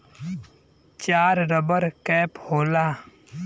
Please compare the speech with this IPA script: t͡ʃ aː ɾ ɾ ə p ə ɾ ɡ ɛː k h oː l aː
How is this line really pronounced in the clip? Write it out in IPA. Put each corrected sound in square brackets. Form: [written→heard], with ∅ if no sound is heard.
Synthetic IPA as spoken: t͡ʃ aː ɾ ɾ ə [p→b] ə ɾ [ɡ→k] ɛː [k→p] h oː l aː